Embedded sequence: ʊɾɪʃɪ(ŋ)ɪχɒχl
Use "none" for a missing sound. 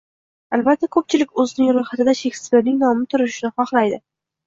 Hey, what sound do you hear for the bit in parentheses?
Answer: n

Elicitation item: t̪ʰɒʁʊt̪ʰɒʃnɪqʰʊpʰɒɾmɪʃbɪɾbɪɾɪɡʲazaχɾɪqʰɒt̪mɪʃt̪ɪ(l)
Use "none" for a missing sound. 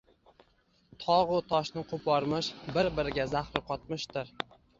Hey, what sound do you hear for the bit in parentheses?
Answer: ɾ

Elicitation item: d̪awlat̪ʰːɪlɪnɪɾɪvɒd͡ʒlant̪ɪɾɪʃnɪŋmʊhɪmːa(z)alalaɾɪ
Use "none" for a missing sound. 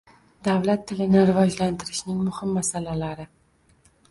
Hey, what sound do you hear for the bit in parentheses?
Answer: s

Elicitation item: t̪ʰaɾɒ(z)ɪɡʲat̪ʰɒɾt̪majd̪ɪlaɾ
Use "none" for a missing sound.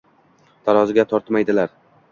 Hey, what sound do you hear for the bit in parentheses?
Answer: z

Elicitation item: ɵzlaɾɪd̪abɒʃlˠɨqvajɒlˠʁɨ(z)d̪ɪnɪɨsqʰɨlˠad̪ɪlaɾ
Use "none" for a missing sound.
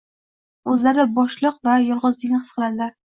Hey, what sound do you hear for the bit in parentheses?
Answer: z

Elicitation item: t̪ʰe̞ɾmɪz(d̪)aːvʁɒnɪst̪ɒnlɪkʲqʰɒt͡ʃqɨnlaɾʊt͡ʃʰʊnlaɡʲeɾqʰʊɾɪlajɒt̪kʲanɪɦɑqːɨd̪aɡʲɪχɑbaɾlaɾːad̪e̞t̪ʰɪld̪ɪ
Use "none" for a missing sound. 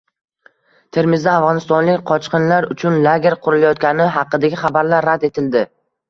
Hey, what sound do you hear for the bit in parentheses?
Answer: d̪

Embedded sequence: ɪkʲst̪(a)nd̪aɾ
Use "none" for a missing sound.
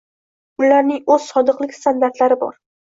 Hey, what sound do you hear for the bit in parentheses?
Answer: a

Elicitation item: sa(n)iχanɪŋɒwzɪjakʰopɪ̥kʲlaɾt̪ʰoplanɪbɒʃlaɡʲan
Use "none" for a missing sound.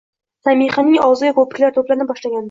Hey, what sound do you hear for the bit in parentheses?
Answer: m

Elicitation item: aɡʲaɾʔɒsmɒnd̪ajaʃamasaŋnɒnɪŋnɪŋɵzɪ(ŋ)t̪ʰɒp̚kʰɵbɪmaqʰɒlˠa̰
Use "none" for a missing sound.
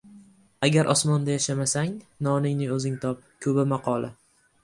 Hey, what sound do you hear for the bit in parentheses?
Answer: ŋ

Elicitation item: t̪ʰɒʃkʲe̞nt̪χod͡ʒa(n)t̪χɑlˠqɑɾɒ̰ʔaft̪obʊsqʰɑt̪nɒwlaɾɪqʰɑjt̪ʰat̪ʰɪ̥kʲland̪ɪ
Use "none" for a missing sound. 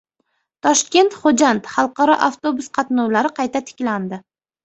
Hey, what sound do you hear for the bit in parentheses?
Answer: n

